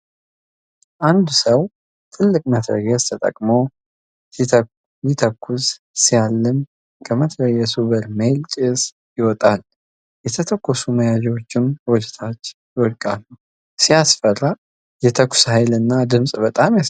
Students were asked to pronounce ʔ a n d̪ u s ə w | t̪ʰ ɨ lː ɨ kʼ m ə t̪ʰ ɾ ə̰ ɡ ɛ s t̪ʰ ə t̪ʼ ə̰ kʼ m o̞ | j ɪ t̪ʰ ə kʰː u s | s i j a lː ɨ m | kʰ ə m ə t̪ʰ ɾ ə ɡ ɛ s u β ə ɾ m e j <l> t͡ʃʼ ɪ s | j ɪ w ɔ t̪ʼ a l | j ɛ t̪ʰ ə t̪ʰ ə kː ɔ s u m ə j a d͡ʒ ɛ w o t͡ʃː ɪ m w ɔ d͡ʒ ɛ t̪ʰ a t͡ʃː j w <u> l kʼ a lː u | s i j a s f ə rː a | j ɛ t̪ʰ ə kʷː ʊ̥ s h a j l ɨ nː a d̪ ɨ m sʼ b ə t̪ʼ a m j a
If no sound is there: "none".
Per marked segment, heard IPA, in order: l, ɔ

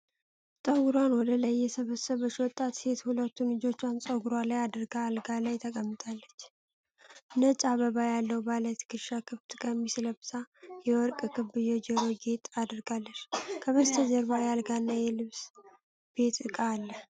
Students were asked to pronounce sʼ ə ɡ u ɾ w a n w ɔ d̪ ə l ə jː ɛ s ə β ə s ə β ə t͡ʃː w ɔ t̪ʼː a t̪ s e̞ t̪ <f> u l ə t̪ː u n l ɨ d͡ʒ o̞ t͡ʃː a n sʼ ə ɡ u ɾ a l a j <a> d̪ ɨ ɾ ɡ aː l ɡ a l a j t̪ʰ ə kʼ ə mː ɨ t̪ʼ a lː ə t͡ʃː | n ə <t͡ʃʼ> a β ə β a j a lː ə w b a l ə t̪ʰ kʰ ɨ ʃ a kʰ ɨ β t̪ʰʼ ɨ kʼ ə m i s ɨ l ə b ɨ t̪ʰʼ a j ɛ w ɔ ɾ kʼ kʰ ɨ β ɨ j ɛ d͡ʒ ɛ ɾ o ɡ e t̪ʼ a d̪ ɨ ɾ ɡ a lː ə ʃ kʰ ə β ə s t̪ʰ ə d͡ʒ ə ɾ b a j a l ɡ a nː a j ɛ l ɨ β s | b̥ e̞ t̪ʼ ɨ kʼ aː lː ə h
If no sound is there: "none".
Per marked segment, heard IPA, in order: h, a, t͡ʃʼ

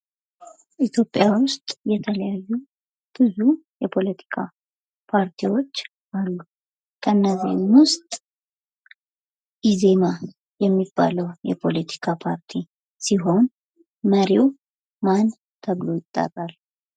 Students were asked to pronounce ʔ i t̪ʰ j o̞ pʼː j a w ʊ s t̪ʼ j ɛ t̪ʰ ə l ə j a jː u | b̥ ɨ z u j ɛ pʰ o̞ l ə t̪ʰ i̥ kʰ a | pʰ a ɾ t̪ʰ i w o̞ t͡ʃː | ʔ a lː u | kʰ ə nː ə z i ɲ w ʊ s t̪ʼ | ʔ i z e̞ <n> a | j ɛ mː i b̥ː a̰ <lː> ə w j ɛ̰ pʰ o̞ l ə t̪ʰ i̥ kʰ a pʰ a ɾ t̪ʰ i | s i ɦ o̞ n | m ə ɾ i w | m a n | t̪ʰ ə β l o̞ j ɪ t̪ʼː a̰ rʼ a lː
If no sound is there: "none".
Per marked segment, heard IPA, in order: m, l

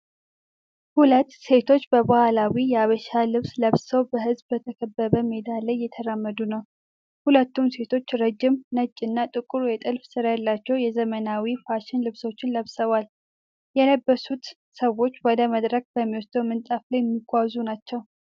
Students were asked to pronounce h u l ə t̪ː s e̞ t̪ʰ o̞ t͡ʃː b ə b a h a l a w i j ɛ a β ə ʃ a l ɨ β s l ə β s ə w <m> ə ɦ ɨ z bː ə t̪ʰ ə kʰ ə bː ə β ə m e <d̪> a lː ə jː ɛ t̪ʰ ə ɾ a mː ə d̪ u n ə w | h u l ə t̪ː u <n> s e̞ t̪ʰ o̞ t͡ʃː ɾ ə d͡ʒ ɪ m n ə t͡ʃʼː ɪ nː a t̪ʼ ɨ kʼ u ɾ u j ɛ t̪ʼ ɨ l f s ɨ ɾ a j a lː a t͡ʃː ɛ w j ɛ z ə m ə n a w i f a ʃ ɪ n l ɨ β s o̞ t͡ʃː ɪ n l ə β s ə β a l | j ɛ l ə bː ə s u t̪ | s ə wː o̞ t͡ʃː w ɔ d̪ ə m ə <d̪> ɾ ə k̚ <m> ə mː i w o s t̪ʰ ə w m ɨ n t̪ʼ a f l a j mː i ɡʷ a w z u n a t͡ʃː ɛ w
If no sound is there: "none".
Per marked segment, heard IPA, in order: b, d̪, m, d̪, b

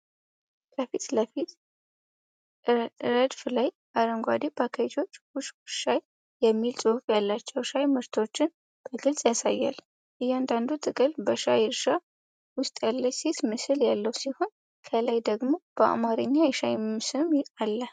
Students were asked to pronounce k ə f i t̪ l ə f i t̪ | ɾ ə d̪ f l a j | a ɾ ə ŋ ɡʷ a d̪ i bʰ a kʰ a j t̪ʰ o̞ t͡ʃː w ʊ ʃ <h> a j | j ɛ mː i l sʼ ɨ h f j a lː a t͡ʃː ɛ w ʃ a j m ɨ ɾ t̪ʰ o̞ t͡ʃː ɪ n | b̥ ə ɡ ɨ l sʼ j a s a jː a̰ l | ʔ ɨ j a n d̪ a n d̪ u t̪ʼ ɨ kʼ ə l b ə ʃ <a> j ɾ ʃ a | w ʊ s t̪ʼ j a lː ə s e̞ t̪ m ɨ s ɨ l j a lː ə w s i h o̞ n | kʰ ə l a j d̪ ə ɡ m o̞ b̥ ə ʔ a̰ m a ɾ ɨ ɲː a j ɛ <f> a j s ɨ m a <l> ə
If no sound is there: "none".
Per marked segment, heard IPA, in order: ʃ, a, ʃ, lː

